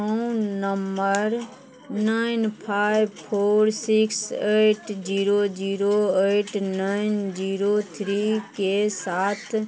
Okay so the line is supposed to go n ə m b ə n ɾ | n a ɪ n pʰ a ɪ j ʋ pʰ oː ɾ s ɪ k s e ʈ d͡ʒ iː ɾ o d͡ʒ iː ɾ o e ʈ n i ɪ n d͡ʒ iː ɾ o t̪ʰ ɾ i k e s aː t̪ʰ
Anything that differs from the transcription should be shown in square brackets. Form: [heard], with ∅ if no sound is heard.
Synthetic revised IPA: n ə m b ə [∅] ɾ | n a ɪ n pʰ a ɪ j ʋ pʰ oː ɾ s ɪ k s e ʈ d͡ʒ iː ɾ o d͡ʒ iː ɾ o e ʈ n [a] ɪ n d͡ʒ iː ɾ o t̪ʰ ɾ i k e s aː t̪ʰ